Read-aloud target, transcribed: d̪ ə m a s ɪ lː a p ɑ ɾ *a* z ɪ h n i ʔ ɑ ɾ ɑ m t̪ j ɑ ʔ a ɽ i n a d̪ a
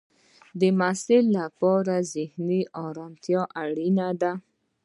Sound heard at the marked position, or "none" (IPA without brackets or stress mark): a